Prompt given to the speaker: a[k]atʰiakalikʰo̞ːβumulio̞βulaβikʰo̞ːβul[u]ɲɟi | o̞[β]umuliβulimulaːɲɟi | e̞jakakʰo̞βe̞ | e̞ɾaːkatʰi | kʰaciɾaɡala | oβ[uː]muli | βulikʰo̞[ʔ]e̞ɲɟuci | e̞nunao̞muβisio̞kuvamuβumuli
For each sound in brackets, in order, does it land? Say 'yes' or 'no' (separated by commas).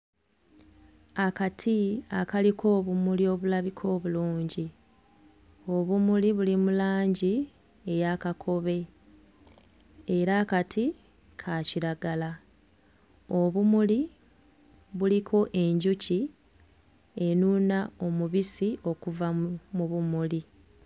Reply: yes, no, yes, no, yes